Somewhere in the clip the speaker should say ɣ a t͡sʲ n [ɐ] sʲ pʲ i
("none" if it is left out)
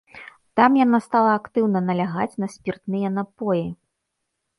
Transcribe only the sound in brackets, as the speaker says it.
ɐ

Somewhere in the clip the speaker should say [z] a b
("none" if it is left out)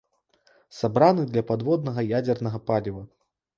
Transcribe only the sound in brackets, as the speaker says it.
s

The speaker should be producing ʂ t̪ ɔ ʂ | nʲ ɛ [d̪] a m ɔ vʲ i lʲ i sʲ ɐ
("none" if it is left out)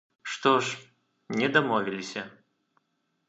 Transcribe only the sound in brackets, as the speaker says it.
d̪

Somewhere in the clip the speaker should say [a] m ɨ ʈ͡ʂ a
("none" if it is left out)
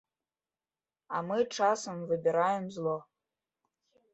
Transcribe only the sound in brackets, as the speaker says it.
a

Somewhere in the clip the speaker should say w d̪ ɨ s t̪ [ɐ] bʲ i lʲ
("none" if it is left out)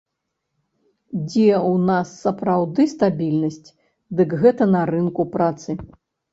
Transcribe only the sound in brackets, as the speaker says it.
a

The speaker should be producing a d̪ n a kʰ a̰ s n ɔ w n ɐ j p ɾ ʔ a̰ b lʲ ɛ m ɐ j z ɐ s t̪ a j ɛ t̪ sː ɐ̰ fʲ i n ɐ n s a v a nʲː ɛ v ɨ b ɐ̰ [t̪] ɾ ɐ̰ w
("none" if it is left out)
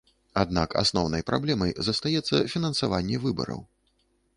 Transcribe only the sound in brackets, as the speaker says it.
none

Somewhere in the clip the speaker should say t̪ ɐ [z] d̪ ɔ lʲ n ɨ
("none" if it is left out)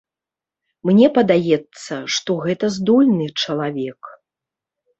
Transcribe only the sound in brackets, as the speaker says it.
z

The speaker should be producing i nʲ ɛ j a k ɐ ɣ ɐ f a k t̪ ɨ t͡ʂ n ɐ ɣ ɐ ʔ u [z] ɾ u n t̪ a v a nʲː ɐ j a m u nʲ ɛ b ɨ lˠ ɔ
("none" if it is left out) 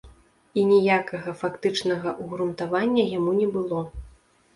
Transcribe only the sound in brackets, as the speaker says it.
ɣ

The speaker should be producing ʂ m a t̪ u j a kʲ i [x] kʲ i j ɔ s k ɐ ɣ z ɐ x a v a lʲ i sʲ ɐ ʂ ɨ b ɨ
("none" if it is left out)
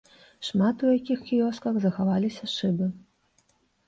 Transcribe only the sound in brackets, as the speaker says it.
x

